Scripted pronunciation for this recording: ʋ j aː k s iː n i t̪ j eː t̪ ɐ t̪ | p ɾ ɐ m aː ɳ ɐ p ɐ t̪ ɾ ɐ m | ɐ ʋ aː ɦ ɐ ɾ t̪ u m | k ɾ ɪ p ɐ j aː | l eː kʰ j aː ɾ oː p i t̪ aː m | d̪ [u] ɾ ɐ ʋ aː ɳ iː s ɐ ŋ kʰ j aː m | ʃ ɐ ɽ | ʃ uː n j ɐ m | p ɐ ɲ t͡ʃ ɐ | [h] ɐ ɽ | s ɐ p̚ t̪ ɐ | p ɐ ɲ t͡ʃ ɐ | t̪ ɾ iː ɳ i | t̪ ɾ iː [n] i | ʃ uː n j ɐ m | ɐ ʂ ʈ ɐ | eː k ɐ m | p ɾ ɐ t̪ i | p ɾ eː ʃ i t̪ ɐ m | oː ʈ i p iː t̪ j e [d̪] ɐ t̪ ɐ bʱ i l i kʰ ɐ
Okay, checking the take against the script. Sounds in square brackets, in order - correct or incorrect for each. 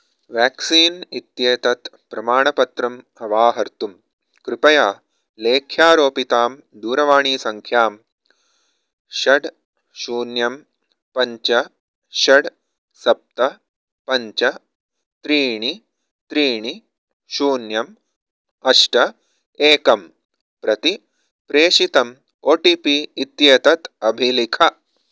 incorrect: uː, incorrect: ʃ, incorrect: ɳ, incorrect: t̪

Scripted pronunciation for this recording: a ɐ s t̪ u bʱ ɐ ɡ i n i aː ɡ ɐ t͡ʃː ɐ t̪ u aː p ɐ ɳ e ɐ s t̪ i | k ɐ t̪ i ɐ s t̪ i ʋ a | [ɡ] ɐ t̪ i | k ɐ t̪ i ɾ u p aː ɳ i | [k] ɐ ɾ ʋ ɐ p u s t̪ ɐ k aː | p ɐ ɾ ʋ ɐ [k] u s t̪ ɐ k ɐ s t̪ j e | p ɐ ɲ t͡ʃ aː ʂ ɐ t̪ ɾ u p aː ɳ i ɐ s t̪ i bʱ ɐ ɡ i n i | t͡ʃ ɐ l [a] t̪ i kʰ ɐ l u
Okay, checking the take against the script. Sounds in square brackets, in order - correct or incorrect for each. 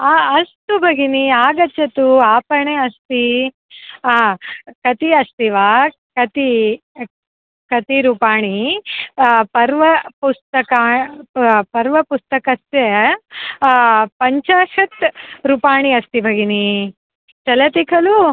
incorrect: k, incorrect: p, incorrect: p, incorrect: ɐ

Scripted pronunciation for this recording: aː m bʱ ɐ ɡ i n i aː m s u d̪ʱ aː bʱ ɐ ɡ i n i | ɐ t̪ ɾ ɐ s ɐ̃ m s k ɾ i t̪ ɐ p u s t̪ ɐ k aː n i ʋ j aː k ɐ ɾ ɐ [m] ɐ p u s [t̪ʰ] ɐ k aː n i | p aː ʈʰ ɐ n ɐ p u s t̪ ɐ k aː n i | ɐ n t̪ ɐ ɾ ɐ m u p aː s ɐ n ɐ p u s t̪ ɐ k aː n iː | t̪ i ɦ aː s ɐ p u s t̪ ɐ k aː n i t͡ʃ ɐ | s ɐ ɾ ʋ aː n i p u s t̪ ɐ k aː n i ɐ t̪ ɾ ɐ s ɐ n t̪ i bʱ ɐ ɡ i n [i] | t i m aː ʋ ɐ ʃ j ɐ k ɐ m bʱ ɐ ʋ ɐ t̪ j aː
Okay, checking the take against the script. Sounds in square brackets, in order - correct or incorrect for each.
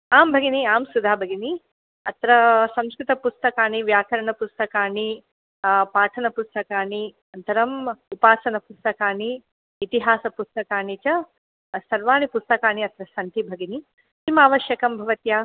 incorrect: ɳ, incorrect: t̪, correct

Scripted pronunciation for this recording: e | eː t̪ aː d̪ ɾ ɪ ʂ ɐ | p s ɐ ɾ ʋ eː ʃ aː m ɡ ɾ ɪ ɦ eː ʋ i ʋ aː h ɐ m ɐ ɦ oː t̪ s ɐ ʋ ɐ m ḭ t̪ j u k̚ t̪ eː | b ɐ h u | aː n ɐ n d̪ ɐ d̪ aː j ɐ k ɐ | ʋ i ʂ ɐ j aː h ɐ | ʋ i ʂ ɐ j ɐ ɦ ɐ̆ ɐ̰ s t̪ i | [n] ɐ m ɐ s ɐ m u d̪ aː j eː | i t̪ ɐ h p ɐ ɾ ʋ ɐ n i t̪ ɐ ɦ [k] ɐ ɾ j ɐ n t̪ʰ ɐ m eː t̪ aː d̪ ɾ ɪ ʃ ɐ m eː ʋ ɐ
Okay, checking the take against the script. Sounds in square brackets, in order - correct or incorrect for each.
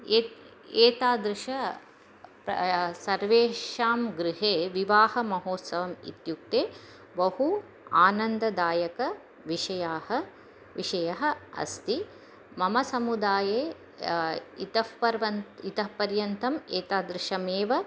incorrect: m, incorrect: p

